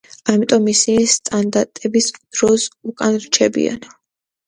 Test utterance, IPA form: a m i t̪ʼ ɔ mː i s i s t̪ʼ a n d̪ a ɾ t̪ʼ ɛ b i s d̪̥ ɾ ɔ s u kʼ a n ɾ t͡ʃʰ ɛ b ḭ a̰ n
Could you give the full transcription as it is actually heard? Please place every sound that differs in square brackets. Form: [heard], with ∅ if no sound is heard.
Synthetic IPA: a m i t̪ʼ ɔ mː i s i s t̪ʼ a n d̪ a ɾ t̪ʼ ɛ b i s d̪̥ ɾ ɔ s u kʼ a n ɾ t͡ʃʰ ɛ b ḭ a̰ n